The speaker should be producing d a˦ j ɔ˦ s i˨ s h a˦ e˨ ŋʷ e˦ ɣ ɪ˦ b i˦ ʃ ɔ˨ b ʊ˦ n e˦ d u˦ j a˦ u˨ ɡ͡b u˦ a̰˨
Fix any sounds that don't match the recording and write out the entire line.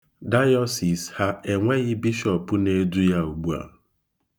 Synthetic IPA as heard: d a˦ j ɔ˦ s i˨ s h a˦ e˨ ŋʷ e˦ ɣ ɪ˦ b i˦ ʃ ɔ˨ p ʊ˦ n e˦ d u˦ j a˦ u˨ ɡ͡b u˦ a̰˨